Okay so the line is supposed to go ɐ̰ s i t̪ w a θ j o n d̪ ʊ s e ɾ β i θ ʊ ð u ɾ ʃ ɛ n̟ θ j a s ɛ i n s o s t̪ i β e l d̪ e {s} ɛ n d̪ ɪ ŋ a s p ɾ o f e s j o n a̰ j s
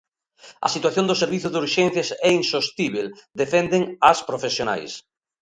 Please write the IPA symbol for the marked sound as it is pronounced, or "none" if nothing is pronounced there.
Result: f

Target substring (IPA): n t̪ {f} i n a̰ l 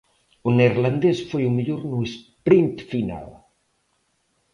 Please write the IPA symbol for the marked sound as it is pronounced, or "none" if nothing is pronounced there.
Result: f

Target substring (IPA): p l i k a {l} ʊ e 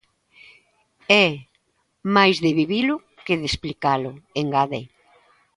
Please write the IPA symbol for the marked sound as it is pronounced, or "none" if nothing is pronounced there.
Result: l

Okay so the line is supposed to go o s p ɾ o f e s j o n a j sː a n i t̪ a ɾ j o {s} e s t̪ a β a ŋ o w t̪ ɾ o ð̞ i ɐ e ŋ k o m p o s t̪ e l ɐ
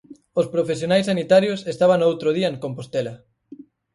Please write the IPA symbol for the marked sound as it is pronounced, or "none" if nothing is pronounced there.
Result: s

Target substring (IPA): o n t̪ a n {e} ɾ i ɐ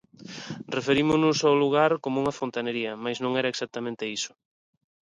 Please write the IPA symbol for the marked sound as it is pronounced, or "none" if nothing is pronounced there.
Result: e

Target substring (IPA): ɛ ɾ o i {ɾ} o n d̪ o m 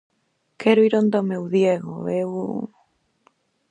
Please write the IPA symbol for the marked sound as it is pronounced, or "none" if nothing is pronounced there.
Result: ɾ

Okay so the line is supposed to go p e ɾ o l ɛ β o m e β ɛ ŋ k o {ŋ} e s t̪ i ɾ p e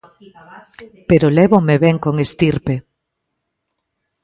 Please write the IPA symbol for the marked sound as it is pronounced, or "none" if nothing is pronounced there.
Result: ŋ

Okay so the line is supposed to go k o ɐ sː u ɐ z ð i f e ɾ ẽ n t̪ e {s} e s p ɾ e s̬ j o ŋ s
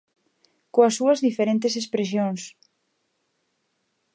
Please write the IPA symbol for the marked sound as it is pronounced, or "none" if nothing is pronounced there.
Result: s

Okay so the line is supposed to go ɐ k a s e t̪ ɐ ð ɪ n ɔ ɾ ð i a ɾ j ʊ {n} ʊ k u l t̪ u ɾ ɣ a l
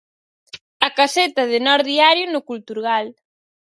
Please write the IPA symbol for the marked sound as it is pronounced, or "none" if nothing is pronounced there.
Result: n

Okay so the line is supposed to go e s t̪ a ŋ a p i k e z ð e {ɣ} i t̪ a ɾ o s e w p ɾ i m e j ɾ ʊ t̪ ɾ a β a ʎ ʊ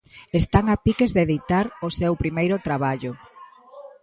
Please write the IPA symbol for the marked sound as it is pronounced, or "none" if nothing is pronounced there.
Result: ð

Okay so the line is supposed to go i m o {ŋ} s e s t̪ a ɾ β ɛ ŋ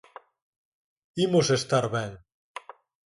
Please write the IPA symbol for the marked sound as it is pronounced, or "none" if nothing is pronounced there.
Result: none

